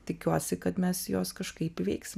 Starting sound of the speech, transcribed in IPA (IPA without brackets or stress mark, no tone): t̪ʲ